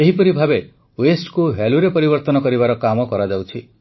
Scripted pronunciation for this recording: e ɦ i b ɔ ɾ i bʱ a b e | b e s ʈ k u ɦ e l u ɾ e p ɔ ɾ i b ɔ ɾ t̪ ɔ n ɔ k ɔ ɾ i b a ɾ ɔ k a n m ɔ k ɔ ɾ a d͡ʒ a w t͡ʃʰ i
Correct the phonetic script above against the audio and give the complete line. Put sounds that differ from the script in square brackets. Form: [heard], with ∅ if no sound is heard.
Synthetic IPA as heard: e ɦ i [p] ɔ ɾ i bʱ a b e | [w] e s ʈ k u ɦ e l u ɾ e p ɔ ɾ i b ɔ ɾ t̪ ɔ n ɔ k ɔ ɾ i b a ɾ ɔ k a [∅] m ɔ k ɔ ɾ a d͡ʒ a w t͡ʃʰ i

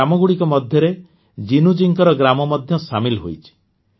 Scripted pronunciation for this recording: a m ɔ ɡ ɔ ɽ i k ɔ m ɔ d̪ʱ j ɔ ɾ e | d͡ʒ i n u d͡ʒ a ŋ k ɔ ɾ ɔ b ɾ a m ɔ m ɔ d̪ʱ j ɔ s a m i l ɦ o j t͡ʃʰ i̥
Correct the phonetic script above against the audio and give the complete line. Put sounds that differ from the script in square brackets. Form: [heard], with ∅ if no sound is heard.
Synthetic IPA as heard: a m ɔ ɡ [u] ɽ i k ɔ m ɔ d̪ʱ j ɔ ɾ e | d͡ʒ i n u d͡ʒ [i] ŋ k ɔ ɾ ɔ [ɡ] ɾ a m ɔ m ɔ d̪ʱ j ɔ s a m i l ɦ o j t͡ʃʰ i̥

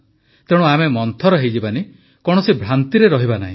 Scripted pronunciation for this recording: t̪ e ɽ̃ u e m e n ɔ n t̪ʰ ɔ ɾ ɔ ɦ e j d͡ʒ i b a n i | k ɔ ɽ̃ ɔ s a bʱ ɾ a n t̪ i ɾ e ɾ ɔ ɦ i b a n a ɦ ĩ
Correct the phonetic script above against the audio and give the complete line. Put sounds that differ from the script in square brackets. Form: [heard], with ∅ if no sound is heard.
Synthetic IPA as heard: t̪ e ɽ̃ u [a] m e [m] ɔ n t̪ʰ ɔ ɾ ɔ ɦ e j d͡ʒ i b a n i | k ɔ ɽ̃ ɔ s [i] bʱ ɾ a n t̪ i ɾ e ɾ ɔ ɦ i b a n a ɦ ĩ

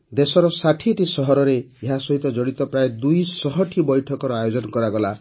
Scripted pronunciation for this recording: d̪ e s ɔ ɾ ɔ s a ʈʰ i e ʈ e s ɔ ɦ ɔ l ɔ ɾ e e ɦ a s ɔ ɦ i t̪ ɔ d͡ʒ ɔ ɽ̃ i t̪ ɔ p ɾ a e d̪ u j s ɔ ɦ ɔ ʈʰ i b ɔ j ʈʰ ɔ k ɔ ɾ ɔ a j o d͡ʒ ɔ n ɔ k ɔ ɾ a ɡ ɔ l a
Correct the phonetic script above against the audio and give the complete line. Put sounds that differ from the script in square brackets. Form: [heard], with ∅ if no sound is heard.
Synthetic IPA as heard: d̪ e s ɔ ɾ ɔ s a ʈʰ i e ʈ [i] s ɔ ɦ ɔ [ɾ] ɔ ɾ e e ɦ a s ɔ ɦ i t̪ ɔ d͡ʒ ɔ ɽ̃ i t̪ ɔ p ɾ a e d̪ u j s ɔ ɦ ɔ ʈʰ i b ɔ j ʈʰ ɔ k ɔ ɾ ɔ a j o d͡ʒ ɔ n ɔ k ɔ ɾ a ɡ ɔ l a

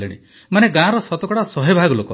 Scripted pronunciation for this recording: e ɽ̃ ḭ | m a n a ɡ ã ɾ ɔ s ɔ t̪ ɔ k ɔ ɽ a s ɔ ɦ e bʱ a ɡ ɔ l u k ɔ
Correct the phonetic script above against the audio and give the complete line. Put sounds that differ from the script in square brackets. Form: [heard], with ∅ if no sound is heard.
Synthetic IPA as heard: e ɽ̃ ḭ | m a n [e] ɡ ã ɾ ɔ s ɔ t̪ ɔ k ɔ ɽ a s ɔ ɦ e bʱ a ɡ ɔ l [o] k ɔ

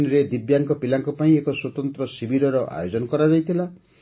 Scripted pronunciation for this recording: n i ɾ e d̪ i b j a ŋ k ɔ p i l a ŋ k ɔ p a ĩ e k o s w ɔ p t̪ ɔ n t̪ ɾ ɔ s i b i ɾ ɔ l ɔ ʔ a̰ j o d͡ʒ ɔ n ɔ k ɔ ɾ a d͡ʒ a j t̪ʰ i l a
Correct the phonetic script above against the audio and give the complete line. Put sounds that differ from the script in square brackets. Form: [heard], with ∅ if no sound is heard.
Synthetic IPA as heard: n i ɾ e d̪ i b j a ŋ k ɔ p i l a ŋ k ɔ p a ĩ e k [ɔ] s w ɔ [∅] t̪ ɔ n t̪ ɾ ɔ s i b i ɾ ɔ [ɾ] ɔ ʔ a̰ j o d͡ʒ ɔ n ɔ k ɔ ɾ a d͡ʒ a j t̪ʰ i l a

